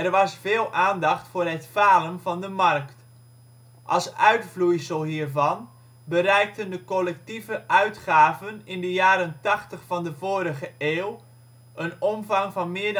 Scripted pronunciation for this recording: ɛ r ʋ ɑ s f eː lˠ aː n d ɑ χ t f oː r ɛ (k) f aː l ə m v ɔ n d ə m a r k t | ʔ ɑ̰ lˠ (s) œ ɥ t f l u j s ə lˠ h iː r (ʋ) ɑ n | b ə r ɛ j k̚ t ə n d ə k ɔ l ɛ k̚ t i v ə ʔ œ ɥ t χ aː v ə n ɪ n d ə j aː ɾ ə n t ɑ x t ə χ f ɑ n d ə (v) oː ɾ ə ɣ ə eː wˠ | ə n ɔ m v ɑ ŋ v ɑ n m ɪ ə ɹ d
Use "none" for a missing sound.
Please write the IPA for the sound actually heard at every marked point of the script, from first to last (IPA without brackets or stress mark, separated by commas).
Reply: t, s, v, v